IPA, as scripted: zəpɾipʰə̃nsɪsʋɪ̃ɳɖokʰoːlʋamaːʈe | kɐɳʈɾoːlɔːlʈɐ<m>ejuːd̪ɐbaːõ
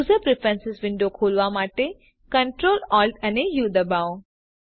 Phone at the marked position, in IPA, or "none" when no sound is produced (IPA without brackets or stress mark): n